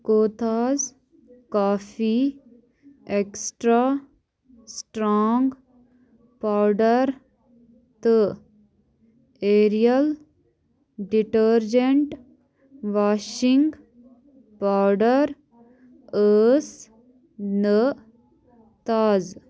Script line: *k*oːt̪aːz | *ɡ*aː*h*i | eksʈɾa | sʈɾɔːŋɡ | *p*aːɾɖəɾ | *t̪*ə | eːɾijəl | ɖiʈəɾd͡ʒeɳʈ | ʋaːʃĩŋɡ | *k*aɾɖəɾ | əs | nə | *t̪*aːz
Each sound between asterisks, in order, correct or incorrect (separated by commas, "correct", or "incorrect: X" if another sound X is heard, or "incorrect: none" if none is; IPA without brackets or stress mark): correct, incorrect: k, incorrect: f, correct, correct, incorrect: p, correct